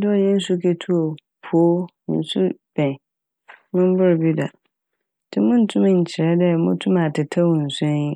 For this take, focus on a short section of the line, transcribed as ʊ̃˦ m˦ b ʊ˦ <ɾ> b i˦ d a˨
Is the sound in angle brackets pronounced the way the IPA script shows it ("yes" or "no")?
yes